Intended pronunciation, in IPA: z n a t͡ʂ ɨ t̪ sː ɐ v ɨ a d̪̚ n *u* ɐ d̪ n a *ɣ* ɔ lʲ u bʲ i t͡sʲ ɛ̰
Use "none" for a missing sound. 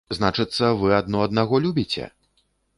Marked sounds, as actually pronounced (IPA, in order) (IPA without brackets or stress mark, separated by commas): ɔ, ɣ